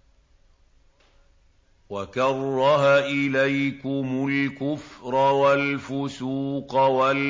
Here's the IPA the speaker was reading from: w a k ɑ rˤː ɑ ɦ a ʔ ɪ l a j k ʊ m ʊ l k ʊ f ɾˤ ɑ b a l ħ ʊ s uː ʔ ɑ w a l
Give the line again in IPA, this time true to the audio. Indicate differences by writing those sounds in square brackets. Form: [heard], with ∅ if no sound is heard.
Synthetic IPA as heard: w a k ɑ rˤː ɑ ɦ a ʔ ɪ l a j k ʊ m ʊ l k ʊ f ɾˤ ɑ [w] a l [f] ʊ s uː [q] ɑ w a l